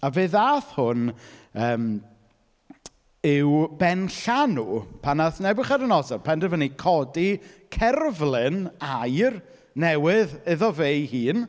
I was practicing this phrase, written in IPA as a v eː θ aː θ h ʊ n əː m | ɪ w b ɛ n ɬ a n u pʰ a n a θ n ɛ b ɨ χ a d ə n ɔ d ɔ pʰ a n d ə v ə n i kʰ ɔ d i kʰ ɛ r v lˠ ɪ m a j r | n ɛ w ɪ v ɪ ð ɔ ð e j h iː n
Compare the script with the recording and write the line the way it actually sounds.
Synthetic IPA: a v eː ð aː θ h ʊ n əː m | ɪ w b ɛ n ɬ a n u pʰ a n a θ n ɛ b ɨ χ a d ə n ɔ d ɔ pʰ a n d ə v ə n i kʰ ɔ d i kʰ ɛ r v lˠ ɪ n a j r | n ɛ w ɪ ð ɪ ð ɔ v e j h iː n